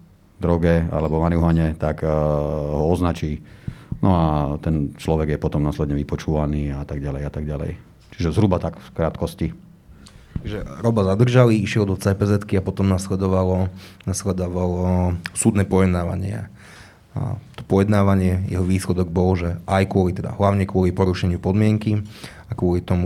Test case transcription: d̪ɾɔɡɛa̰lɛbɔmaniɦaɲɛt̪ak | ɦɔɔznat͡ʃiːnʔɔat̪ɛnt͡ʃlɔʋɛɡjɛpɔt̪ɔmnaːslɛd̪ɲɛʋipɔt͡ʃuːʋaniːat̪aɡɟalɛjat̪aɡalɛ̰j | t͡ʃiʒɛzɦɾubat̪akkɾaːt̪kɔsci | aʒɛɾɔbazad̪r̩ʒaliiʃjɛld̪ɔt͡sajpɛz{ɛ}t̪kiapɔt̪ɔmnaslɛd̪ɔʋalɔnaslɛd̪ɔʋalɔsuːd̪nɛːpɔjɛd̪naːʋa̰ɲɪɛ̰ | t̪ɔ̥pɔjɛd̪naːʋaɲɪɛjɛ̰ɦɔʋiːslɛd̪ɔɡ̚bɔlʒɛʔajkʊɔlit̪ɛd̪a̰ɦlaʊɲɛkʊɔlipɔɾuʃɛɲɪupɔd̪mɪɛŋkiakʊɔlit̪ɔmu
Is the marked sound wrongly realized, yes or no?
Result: no